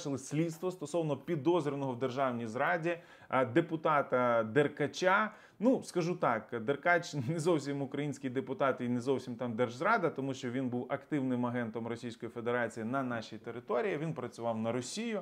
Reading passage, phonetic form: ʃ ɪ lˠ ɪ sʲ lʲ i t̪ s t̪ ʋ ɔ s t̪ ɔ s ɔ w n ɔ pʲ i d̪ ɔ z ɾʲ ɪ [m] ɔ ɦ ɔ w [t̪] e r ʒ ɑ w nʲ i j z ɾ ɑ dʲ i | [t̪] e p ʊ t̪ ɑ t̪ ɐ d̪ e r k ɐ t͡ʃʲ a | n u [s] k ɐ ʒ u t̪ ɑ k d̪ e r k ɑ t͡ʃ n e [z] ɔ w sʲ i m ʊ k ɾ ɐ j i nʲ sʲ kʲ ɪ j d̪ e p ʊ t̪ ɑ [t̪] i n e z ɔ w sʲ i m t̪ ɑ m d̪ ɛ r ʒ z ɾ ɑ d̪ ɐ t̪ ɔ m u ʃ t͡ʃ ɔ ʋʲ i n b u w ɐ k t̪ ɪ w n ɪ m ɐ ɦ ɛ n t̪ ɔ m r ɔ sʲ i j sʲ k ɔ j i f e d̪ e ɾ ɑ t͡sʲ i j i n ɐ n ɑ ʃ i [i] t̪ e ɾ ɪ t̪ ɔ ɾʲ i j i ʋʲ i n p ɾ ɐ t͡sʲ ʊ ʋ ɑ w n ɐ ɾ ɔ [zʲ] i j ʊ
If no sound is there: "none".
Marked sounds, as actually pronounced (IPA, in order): n, d̪, d̪, s, z, t̪, j, sʲ

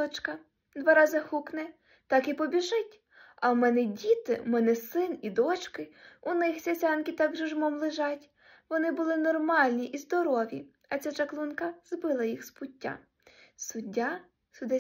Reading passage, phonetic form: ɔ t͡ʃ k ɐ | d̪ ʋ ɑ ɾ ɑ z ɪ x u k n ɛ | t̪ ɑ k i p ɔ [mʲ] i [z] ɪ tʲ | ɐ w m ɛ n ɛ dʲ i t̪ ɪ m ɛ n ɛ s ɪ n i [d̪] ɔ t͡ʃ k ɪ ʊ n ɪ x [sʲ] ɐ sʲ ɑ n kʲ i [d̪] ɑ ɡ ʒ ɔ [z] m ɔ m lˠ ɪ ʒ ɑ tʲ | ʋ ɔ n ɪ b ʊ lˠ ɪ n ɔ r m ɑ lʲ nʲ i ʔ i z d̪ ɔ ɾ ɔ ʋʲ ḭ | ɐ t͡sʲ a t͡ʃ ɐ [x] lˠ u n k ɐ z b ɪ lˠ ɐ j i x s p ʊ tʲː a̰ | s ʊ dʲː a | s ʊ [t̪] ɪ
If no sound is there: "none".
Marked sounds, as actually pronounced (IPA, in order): bʲ, ʒ, d̪, sʲ, t̪, ʒ, k, d̪

